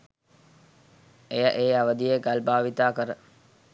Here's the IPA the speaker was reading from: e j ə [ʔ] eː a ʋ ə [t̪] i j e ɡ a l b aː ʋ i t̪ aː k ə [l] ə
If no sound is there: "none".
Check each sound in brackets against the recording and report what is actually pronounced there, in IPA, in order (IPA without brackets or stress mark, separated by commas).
ʔ, d̪, ɾ